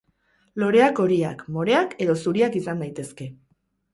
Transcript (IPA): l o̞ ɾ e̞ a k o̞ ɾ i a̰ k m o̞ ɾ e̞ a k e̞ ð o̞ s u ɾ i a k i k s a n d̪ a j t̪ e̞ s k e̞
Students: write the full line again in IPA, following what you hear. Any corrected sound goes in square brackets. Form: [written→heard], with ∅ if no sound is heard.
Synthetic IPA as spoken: l o̞ ɾ e̞ a k o̞ ɾ i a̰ k m o̞ ɾ e̞ a k e̞ ð o̞ s u ɾ i a k i [k→∅] s a n d̪ a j t̪ e̞ s k e̞